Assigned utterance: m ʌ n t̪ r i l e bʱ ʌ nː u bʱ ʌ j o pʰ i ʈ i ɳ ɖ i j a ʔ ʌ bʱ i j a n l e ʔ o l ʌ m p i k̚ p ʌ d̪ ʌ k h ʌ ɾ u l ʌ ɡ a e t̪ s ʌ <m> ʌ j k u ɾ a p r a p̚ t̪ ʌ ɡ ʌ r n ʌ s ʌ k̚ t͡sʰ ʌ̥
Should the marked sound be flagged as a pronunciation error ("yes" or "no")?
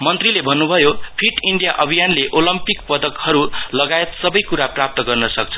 yes